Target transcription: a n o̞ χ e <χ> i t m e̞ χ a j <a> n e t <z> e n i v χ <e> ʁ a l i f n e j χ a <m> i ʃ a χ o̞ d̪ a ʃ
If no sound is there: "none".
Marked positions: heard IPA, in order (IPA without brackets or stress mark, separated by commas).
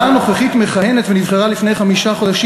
χ, e, v, e, m